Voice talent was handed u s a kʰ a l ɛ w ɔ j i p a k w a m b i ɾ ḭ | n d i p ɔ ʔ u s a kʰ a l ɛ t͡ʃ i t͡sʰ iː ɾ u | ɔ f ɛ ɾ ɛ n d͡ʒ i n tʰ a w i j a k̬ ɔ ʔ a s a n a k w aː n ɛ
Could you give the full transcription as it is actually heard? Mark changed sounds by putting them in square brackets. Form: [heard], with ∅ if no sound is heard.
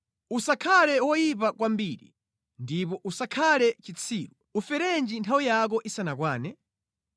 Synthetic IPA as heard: u s a kʰ a l ɛ w ɔ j i p a k w a m b i ɾ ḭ | n d i p ɔ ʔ u s a kʰ a l ɛ t͡ʃ i t͡sʰ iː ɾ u | [u] f ɛ ɾ ɛ n d͡ʒ i n tʰ a w i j a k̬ ɔ ʔ [i] s a n a k w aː n ɛ